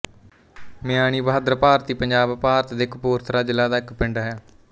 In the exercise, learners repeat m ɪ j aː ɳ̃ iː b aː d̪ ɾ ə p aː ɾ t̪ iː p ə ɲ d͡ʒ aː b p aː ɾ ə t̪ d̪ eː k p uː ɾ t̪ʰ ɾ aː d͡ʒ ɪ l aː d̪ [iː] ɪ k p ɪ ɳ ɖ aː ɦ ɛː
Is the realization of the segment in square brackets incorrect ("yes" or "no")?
yes